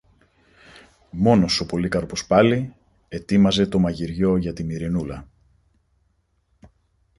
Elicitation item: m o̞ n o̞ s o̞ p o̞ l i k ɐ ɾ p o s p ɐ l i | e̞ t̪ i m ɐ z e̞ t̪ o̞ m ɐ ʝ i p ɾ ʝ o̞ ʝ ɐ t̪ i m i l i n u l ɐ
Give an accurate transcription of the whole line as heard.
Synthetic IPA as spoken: m o̞ n o̞ s o̞ p o̞ l i k ɐ ɾ p o s p ɐ l i | e̞ t̪ i m ɐ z e̞ t̪ o̞ m ɐ ʝ i ɾ ʝ o̞ ʝ ɐ t̪ i m i ɾ i n u l ɐ